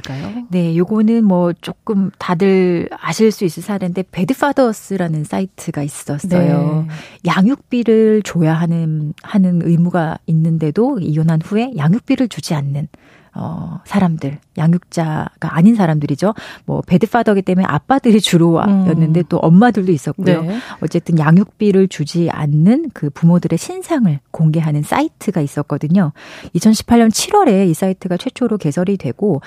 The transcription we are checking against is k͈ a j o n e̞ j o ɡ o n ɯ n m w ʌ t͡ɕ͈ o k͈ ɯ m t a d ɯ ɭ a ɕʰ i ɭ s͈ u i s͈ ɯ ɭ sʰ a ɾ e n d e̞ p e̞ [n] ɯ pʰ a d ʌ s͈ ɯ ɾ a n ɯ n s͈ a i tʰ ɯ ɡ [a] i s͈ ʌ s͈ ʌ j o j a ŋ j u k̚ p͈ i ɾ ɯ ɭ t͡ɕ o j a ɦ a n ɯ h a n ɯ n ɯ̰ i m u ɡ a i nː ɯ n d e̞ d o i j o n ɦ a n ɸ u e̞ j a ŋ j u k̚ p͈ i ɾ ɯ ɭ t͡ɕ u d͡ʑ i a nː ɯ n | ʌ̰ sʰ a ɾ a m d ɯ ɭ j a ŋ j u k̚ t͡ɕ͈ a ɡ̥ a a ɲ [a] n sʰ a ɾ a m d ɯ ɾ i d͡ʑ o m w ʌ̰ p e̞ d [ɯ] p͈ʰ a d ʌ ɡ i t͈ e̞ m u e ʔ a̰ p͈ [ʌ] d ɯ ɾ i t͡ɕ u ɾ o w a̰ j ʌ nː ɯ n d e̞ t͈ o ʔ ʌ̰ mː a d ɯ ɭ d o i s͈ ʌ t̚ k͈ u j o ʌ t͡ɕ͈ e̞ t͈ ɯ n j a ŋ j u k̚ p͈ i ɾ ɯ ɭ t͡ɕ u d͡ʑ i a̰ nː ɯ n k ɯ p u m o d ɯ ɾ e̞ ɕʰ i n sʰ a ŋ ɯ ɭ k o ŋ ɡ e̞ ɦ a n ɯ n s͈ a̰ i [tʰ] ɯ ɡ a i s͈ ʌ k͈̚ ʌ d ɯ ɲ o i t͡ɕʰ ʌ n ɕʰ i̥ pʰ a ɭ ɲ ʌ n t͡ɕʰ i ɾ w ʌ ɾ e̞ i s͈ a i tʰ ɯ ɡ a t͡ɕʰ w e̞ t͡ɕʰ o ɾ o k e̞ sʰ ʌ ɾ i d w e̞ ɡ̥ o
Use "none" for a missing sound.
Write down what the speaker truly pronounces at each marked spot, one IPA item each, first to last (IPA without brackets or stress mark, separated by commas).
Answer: d, a, i, ɯ, a, tʰ